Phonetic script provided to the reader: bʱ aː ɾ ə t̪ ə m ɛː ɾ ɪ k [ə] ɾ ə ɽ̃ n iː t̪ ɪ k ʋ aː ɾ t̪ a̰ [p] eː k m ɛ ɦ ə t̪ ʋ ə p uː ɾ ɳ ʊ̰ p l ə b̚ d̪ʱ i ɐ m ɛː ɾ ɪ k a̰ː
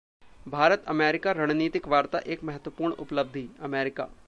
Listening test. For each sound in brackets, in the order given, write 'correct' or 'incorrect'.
incorrect, incorrect

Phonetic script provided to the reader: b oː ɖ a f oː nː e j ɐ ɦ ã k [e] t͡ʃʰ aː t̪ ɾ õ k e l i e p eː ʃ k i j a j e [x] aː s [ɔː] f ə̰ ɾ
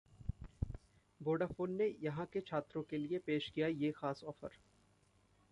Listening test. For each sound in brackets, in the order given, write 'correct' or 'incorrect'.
correct, correct, correct

